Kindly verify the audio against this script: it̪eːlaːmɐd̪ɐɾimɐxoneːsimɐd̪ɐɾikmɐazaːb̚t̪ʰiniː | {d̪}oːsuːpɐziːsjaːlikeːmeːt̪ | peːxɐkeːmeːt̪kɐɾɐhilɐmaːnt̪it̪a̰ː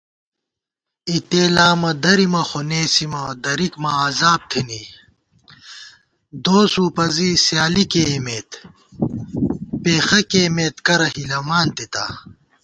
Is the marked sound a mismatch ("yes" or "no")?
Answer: no